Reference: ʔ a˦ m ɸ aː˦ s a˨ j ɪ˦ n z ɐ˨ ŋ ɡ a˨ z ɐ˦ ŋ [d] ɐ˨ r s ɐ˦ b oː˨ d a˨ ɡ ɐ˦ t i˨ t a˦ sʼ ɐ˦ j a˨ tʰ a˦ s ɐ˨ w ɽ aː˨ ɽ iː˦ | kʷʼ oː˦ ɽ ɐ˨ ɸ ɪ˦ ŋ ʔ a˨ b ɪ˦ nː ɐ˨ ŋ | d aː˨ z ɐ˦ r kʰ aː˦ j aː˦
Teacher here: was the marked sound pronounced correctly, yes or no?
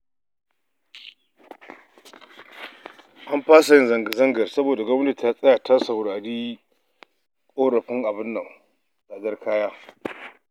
no